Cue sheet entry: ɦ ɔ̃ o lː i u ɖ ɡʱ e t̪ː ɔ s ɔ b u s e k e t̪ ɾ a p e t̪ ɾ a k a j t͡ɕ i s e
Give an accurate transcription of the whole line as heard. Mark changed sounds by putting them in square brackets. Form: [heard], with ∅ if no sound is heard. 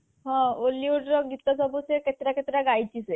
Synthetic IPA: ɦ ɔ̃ o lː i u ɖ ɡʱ [i] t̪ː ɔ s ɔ b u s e k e t̪ ɾ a [k] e t̪ ɾ a [ɡ] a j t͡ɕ i s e